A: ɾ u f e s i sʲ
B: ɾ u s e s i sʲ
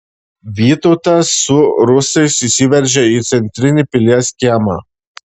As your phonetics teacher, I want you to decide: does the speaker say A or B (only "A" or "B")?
B